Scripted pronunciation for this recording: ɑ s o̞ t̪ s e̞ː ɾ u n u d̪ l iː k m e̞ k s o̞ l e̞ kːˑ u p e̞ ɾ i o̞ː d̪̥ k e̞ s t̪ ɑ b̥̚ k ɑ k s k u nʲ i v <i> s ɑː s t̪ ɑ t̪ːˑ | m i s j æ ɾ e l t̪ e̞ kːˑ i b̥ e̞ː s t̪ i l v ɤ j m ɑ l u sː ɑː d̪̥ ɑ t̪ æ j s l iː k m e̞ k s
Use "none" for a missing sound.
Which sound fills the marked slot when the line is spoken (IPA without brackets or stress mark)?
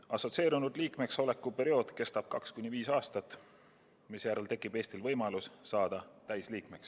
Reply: iː